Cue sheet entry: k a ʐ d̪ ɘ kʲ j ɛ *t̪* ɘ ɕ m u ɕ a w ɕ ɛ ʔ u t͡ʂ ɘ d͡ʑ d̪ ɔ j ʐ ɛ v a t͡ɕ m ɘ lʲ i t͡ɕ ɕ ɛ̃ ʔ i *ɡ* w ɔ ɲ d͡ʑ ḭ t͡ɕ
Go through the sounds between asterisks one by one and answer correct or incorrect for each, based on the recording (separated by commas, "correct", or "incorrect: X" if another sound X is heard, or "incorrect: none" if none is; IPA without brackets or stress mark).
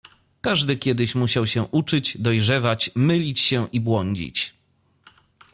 incorrect: d̪, incorrect: b